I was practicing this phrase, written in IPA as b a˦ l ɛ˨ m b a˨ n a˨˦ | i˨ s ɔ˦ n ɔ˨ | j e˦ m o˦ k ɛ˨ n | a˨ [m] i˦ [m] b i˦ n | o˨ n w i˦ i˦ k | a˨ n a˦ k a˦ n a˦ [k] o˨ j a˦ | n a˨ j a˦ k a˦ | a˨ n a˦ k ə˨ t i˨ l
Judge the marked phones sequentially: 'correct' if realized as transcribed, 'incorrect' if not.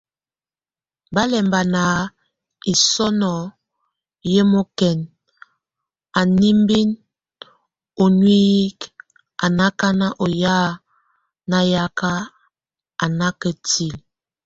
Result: incorrect, correct, incorrect

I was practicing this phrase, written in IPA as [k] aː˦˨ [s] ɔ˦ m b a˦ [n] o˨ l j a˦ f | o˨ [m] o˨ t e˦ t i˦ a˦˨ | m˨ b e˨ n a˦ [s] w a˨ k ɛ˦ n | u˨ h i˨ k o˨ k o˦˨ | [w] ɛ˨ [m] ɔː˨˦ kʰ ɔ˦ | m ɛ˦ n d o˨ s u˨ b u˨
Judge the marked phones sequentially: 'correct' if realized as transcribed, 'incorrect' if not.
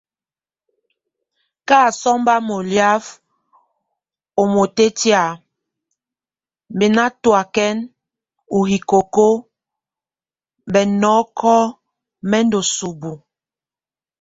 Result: correct, correct, incorrect, correct, incorrect, incorrect, incorrect

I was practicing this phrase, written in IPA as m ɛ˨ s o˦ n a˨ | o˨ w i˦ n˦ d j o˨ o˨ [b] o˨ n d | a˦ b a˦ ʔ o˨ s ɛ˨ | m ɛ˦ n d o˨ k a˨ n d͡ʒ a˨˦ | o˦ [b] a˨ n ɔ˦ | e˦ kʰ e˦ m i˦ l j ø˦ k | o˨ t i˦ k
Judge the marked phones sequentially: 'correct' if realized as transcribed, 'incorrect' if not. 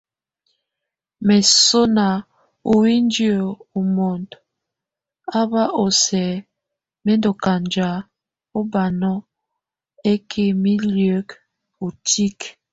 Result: incorrect, correct

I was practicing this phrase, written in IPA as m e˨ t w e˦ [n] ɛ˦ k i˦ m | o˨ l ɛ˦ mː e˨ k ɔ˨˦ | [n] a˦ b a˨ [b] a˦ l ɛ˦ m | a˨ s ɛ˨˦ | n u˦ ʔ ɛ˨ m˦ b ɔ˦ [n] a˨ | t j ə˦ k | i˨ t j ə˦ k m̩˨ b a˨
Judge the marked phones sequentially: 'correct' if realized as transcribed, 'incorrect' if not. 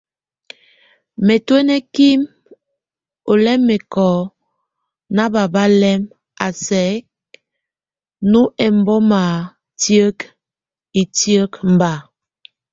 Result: correct, correct, correct, incorrect

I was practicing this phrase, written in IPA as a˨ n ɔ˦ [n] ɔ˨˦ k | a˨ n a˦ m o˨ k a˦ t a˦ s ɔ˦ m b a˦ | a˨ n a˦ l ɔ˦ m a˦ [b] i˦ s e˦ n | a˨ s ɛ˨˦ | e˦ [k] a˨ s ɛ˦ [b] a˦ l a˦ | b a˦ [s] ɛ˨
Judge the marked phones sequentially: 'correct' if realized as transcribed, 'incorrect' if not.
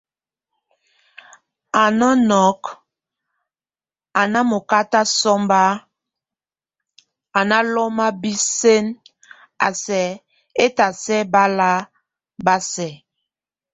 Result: correct, correct, incorrect, correct, correct

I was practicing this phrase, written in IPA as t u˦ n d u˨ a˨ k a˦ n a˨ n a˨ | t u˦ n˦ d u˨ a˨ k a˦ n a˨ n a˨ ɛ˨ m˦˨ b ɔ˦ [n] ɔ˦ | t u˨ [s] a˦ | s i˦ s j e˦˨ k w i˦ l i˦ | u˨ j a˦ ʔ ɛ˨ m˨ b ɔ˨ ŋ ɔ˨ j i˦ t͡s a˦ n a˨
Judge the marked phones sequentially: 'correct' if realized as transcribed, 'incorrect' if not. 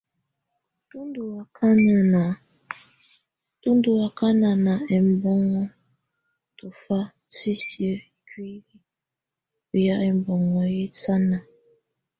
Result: incorrect, incorrect

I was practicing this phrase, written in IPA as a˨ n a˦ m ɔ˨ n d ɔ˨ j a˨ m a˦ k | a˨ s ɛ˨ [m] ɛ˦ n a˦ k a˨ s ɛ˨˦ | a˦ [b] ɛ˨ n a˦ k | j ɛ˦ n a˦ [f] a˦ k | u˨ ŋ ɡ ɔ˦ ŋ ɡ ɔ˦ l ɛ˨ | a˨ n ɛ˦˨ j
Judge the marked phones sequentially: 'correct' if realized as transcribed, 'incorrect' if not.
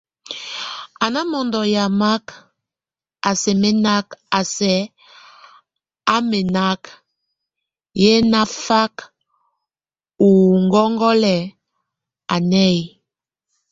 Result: correct, incorrect, correct

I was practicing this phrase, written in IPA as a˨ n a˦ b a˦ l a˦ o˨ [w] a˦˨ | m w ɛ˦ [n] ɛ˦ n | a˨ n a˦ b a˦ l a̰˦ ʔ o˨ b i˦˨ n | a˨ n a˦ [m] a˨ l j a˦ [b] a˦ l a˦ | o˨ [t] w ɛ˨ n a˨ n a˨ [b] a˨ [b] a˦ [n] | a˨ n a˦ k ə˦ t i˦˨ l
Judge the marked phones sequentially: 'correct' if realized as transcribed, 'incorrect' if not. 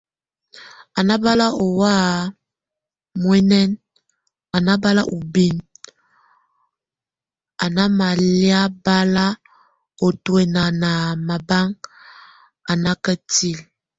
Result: correct, correct, correct, correct, correct, incorrect, correct, incorrect

